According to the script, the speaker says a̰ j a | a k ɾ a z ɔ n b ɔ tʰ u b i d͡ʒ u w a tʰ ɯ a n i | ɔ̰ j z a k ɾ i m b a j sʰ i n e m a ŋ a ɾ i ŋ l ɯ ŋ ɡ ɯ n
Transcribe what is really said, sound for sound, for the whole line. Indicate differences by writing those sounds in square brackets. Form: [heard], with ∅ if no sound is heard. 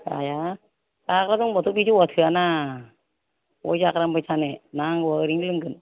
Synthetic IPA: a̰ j a | a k ɾ a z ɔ [ŋ] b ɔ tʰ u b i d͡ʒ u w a tʰ ɯ a n [a] | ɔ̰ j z a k ɾ [a] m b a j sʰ [a] n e [n] a ŋ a ɾ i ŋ l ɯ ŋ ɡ ɯ n